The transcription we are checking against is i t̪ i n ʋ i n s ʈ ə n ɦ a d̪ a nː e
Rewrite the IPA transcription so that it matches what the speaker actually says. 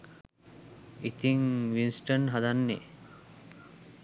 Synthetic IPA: i t̪ i ŋ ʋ i n s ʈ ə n ɦ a d̪ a nː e